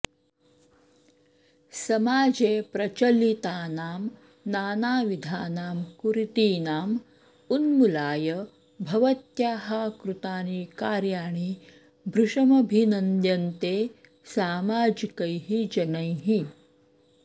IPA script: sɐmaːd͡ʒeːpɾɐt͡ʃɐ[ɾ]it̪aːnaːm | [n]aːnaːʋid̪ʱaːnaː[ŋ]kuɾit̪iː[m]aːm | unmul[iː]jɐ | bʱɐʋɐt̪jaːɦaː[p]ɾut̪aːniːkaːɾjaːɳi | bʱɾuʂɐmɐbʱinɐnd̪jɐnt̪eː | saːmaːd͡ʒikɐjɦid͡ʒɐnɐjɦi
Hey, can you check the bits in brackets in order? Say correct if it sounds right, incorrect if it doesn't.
incorrect, correct, incorrect, incorrect, incorrect, incorrect

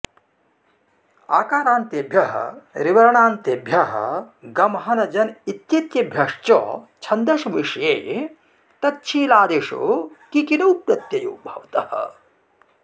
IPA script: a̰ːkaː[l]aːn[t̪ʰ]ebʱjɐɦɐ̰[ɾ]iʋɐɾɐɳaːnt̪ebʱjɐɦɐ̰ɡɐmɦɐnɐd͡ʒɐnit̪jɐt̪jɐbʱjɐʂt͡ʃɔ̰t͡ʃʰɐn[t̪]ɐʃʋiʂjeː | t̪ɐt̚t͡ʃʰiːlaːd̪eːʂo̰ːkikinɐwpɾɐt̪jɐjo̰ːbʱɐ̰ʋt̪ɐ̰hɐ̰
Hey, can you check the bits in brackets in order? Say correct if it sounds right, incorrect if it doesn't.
incorrect, incorrect, correct, incorrect

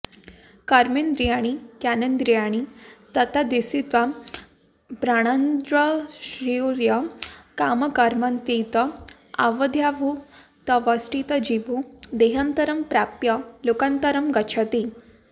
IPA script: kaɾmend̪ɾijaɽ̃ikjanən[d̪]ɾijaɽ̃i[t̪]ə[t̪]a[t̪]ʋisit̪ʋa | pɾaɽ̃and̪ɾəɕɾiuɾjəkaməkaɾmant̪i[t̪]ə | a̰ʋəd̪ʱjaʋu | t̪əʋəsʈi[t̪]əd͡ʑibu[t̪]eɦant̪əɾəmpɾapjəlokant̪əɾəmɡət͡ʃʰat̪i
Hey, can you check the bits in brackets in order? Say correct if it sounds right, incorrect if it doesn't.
correct, correct, correct, incorrect, correct, correct, incorrect

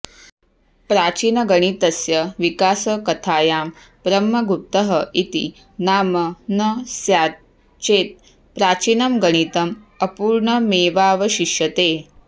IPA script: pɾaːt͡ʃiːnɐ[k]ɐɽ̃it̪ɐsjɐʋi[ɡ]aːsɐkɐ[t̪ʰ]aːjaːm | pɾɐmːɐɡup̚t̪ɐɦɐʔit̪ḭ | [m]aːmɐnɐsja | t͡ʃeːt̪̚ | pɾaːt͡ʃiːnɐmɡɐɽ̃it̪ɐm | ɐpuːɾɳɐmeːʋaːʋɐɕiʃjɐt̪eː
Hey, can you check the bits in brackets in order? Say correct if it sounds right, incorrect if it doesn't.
incorrect, incorrect, correct, incorrect

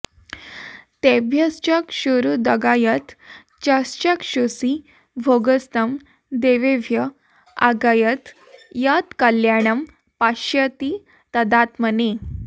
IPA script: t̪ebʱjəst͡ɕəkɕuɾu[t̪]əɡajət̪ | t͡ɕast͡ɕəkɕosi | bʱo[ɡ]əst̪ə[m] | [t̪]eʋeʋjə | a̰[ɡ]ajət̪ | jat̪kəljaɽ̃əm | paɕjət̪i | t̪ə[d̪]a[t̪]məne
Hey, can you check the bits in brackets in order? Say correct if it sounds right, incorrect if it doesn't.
incorrect, correct, correct, incorrect, correct, correct, correct

